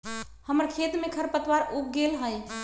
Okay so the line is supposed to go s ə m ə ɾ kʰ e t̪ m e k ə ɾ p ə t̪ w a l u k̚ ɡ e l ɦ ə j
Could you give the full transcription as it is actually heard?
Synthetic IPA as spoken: h ə m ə ɾ kʰ e t̪ m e kʰ ə ɾ p ə t̪ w a ɾ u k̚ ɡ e l ɦ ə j